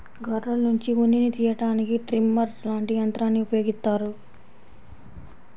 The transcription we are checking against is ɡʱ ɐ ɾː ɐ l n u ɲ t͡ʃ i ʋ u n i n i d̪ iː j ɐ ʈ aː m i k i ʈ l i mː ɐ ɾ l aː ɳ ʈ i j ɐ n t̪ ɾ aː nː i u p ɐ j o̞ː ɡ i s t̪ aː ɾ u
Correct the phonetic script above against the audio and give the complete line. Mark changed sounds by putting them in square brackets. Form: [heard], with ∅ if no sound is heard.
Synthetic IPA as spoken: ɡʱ ɐ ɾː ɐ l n u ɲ t͡ʃ i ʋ u n i n i [t̪] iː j ɐ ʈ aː [n] i k i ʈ [ɾ] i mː ɐ ɾ l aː ɳ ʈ i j ɐ n t̪ ɾ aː nː i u p ɐ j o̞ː ɡ i s t̪ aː ɾ u